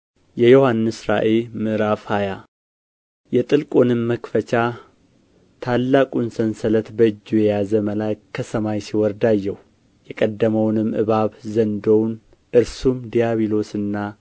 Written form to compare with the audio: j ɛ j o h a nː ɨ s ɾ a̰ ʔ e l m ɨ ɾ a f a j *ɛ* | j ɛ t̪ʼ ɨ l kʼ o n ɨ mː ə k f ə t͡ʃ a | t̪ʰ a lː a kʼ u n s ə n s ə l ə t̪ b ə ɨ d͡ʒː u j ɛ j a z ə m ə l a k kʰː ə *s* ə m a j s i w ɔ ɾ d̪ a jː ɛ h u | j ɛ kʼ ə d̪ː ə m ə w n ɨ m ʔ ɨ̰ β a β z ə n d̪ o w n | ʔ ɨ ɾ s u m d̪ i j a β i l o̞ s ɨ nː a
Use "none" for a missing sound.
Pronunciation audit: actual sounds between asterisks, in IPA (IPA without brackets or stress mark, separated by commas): a, s